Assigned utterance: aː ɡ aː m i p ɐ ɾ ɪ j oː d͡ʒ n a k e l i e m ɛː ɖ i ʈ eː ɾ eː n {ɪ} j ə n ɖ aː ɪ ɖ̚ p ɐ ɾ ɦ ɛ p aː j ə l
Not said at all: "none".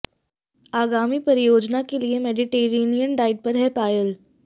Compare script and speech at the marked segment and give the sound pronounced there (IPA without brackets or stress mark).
i